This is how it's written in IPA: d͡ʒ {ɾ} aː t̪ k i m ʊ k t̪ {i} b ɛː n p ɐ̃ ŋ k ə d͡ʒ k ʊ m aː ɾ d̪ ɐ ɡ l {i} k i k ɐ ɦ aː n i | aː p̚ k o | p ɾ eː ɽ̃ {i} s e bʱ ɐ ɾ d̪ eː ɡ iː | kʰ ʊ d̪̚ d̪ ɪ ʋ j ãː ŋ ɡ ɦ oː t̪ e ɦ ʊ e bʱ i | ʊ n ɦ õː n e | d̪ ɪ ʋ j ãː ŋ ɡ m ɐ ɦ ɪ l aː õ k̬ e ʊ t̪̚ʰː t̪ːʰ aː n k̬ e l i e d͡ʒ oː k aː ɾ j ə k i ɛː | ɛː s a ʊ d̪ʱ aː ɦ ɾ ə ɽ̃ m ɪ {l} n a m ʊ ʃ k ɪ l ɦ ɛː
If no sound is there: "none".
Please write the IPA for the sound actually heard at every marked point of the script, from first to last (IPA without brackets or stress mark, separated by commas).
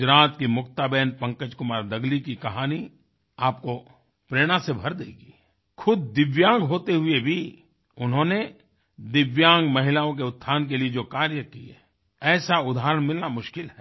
ɾ, a, i, a, l